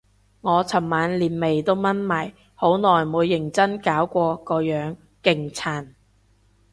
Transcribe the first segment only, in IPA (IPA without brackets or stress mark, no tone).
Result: ŋ